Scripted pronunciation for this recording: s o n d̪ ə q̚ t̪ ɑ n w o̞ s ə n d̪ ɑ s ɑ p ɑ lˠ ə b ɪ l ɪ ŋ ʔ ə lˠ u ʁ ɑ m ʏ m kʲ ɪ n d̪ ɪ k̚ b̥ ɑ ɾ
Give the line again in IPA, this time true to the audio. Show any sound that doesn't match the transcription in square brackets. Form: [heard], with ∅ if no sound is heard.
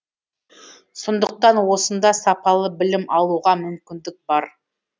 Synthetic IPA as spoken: s o n d̪ ə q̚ t̪ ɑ n w o̞ s ə n d̪ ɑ s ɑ p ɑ lˠ ə b ɪ l ɪ [m] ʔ [ɑ] lˠ u ʁ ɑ m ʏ m kʲ ɪ n d̪ ɪ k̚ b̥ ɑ ɾ

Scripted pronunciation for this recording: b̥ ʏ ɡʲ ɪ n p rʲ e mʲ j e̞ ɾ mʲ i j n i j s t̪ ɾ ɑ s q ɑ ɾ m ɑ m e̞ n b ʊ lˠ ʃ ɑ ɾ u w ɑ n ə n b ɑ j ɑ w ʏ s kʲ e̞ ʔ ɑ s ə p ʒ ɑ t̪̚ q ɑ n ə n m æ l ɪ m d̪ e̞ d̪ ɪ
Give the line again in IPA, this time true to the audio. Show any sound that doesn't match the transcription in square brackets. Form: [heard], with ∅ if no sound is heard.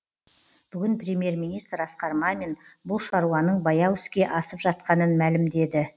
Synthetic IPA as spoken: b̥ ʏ ɡʲ ɪ n p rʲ e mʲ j e̞ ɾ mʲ i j n i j s t̪ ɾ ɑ s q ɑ ɾ m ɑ m e̞ n b ʊ lˠ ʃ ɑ ɾ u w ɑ n ə [ɴ] b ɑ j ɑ w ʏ s kʲ e̞ ʔ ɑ s ə p ʒ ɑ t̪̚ q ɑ n ə n m æ l ɪ m d̪ e̞ d̪ ɪ

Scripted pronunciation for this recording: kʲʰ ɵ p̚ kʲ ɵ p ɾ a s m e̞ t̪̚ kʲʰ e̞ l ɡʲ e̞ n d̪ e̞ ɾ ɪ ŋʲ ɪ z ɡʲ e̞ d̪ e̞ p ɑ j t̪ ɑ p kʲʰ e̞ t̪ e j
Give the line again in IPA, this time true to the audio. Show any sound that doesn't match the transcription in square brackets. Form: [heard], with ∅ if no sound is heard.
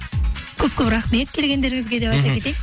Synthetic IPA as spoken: kʲʰ ɵ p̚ kʲ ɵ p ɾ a [χ] m e̞ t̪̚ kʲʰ e̞ l ɡʲ e̞ n d̪ e̞ ɾ ɪ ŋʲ ɪ z ɡʲ e̞ d̪ e̞ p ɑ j t̪ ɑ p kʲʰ e̞ t̪ e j

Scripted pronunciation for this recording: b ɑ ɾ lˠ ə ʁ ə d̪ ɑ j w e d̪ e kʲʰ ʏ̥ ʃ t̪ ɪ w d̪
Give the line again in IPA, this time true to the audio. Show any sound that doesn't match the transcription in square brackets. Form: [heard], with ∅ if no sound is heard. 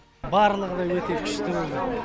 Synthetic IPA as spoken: b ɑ ɾ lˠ ə ʁ ə d̪ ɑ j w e [t̪] e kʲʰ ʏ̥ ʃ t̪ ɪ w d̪

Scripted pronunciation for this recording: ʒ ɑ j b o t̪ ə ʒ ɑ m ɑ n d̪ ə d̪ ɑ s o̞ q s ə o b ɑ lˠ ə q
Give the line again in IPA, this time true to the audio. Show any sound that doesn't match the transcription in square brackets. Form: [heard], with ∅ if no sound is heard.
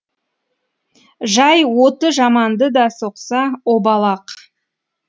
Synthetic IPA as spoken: ʒ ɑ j [w] o t̪ ə ʒ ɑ m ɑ n d̪ ə d̪ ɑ s o̞ q s [ɑ] o b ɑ lˠ [ɑ] q

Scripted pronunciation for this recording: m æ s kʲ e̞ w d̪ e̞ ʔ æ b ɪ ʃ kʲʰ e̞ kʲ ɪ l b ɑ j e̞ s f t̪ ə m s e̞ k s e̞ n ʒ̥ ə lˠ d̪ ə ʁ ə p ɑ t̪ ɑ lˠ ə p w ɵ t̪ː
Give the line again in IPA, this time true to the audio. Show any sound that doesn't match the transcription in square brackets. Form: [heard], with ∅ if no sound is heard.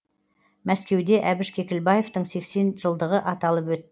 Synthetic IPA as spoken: m æ s kʲ e̞ w d̪ e̞ ʔ æ b ɪ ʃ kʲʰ e̞ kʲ ɪ l b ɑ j e̞ [∅] f t̪ ə [ɴ] s e̞ k s e̞ n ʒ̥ ə lˠ d̪ ə ʁ ə [ʔ] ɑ t̪ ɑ lˠ ə p w ɵ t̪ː

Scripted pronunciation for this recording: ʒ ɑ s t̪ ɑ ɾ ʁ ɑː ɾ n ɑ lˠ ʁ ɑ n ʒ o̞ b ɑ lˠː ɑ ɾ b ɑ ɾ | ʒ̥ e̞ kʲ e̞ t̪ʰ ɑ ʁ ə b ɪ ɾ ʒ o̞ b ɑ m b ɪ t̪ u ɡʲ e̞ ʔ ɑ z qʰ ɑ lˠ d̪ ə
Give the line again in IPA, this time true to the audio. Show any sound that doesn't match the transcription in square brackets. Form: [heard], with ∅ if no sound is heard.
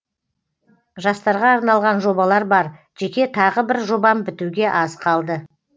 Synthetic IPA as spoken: ʒ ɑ s t̪ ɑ ɾ ʁ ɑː ɾ n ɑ lˠ ʁ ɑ n ʒ o̞ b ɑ [lˠ] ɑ ɾ b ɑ ɾ | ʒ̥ e̞ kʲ e̞ t̪ʰ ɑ ʁ ə b ɪ ɾ ʒ o̞ b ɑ m b ɪ t̪ u ɡʲ e̞ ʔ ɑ z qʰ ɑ lˠ d̪ ə

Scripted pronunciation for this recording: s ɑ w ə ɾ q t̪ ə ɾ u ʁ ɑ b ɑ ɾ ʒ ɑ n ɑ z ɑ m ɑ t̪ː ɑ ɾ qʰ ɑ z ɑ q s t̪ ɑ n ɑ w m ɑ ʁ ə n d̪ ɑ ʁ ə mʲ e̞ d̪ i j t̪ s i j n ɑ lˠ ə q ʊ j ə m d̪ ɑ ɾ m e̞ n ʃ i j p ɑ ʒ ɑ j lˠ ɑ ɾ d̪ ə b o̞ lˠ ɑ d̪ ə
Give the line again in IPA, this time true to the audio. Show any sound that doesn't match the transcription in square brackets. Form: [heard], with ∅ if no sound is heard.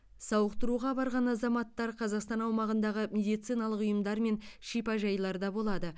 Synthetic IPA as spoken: s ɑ w ə [∅] q t̪ ə ɾ u ʁ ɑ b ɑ ɾ [ʁ] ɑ n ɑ z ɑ m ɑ t̪ː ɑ ɾ qʰ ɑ z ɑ q s t̪ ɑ n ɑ w m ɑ ʁ ə n d̪ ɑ ʁ ə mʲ e̞ d̪ i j t̪ s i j n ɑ lˠ ə q ʊ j ə m d̪ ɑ ɾ m e̞ n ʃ i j p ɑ ʒ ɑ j lˠ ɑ ɾ d̪ [ɑ] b o̞ lˠ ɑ d̪ ə

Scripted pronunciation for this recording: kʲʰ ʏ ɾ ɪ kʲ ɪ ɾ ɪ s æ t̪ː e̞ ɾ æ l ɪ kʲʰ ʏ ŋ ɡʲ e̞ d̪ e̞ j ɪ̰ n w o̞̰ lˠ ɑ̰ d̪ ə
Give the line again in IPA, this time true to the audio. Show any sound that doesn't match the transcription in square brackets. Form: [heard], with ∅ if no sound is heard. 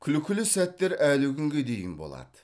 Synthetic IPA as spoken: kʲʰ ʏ [l] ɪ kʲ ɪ [l] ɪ s æ t̪ː e̞ ɾ æ l ɪ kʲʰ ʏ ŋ ɡʲ e̞ d̪ e̞ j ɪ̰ n [b] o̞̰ lˠ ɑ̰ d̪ ə

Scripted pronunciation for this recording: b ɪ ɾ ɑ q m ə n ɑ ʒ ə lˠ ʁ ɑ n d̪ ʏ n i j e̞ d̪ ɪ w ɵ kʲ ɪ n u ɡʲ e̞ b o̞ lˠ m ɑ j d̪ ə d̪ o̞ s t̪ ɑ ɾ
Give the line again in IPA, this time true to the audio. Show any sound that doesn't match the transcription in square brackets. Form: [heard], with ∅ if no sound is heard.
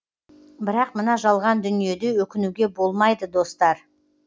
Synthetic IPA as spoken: b ɪ ɾ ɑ q m ə n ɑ ʒ [ɑ] lˠ ʁ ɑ n d̪ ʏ n i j e̞ d̪ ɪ w ɵ kʲ ɪ n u ɡʲ e̞ b o̞ lˠ m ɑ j d̪ ə d̪ o̞ s t̪ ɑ ɾ

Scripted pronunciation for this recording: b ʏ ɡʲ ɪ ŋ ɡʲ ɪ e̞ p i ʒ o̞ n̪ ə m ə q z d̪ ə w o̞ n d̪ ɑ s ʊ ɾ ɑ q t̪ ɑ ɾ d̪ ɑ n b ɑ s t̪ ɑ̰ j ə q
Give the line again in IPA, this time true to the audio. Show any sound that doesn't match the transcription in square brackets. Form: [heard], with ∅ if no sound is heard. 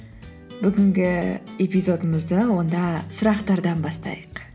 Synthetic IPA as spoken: b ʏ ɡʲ ɪ ŋ ɡʲ ɪ e̞ p i [z] o̞ [d̪] ə m ə [∅] z d̪ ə w o̞ n d̪ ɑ s ʊ ɾ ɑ q t̪ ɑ ɾ d̪ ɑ n b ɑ s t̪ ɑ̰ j ə q

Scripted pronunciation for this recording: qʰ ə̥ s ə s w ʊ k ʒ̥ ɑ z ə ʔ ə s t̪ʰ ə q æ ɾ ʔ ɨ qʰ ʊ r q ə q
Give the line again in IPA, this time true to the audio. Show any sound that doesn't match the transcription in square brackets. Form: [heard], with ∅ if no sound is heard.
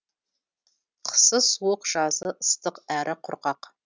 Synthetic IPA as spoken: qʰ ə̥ s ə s w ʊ [q] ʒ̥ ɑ z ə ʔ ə s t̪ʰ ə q æ ɾ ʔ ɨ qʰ ʊ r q [ɑ] q

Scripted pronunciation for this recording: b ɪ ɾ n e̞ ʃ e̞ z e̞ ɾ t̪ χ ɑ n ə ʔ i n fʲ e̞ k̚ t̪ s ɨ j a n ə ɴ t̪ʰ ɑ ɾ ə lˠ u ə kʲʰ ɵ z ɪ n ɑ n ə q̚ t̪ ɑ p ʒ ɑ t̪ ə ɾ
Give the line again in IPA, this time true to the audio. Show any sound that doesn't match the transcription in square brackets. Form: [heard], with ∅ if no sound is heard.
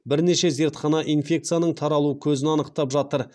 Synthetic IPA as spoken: b ɪ ɾ n e̞ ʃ e̞ z e̞ ɾ t̪ χ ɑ n [ɑ] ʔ i n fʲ e̞ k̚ t̪ s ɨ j a n ə ɴ t̪ʰ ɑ ɾ [ɑ] lˠ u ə kʲʰ ɵ z ɪ n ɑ n ə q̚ t̪ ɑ p ʒ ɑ t̪ ə ɾ

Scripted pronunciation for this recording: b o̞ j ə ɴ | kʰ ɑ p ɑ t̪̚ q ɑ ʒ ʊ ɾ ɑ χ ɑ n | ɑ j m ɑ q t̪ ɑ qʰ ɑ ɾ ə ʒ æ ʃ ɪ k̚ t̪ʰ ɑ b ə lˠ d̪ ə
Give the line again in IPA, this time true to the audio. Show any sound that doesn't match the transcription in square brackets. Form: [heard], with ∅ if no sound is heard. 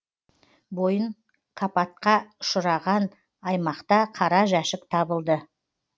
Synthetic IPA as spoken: b o̞ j ə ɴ | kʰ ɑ p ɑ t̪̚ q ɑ [ʃ] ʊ ɾ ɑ [ʁ] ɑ n | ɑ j m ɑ q t̪ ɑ qʰ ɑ ɾ [ɑ] ʒ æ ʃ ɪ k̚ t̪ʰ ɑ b ə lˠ d̪ ə

